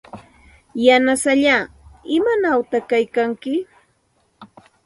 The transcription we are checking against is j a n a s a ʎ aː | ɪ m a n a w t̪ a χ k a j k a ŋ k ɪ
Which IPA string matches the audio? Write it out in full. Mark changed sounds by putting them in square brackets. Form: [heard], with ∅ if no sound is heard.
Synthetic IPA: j a n a s a ʎ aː | ɪ m a n a w t̪ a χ k a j k a ŋ k ɪ